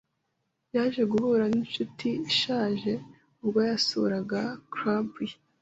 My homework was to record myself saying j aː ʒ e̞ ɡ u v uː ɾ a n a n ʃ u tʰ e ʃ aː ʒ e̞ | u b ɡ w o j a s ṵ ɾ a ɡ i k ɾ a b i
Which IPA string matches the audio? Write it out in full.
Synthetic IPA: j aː ʒ e̞ ɡ u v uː ɾ a n i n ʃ u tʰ i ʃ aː ʒ e̞ | u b ɡ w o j a s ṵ ɾ a ɡ a k ɾ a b i